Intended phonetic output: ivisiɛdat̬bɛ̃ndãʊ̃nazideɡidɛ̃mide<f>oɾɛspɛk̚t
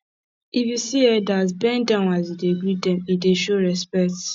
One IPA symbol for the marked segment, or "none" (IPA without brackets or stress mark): ʃ